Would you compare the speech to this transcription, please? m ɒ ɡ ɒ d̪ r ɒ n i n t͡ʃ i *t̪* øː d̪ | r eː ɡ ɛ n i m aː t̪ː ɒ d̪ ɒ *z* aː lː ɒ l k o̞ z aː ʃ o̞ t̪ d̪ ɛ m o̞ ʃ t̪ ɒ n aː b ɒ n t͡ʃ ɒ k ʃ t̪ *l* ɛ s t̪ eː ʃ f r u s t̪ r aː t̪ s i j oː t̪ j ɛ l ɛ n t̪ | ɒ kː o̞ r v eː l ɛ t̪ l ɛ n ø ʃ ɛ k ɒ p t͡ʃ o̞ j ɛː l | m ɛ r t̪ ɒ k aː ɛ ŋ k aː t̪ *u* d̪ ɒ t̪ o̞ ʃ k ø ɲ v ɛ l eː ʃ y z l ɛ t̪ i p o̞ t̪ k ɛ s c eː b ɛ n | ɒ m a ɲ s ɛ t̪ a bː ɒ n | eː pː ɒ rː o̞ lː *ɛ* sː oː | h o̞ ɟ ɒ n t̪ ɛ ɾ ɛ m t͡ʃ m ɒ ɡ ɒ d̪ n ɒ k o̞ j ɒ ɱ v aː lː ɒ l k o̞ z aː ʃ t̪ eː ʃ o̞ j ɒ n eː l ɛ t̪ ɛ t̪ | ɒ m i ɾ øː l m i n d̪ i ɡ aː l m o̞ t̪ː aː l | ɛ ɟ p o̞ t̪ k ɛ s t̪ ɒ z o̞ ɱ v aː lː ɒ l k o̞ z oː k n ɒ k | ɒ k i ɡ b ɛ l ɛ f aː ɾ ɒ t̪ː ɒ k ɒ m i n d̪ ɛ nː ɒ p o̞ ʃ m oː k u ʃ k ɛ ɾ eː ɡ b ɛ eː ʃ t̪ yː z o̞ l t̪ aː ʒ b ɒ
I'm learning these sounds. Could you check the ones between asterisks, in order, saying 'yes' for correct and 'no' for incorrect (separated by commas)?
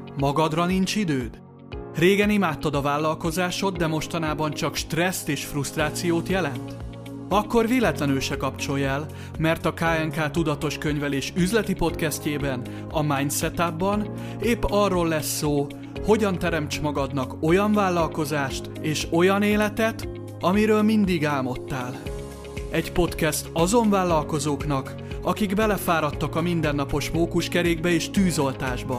no, no, no, yes, yes